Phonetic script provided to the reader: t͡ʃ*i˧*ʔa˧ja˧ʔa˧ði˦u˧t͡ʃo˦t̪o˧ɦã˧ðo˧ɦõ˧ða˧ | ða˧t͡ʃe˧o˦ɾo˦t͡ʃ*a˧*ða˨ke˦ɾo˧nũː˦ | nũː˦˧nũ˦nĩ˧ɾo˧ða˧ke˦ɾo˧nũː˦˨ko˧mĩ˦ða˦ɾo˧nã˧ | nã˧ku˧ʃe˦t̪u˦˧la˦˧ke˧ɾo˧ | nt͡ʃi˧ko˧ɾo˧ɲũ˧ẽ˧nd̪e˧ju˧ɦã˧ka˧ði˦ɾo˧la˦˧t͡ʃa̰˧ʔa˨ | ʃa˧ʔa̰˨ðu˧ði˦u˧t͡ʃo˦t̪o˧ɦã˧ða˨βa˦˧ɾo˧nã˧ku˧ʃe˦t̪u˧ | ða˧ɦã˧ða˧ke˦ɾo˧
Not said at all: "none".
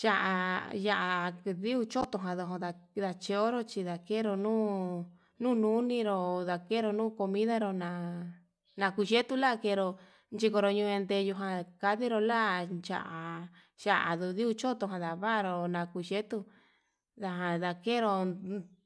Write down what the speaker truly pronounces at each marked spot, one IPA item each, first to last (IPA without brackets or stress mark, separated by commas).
a˧, i˧